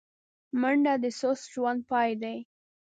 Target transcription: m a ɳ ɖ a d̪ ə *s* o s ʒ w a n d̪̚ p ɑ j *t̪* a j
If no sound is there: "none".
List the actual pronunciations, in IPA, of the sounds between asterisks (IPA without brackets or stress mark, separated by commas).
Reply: s, d̪